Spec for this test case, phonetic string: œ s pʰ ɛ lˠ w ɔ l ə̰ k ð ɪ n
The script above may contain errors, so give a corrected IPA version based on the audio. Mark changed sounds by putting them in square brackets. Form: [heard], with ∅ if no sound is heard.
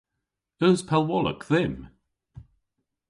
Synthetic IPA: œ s pʰ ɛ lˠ w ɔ l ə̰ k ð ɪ [m]